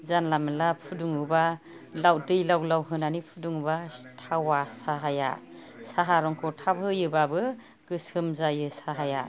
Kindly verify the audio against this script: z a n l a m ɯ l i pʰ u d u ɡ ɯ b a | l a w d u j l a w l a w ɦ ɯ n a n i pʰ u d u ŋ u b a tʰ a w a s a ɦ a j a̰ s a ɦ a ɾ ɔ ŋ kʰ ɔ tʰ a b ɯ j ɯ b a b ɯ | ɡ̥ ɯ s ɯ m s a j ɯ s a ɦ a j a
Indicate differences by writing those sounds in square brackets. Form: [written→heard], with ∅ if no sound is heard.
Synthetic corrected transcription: z a n l a m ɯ l [i→a] pʰ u d u [ɡ→ŋ] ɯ b a | l a w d [u→ɯ] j l a w l a w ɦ ɯ n a n i pʰ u d u ŋ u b a tʰ a w a s a ɦ a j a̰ s a ɦ a ɾ ɔ ŋ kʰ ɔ tʰ a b ɯ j ɯ b a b ɯ | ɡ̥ ɯ s ɯ m [s→z] a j ɯ s a ɦ a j a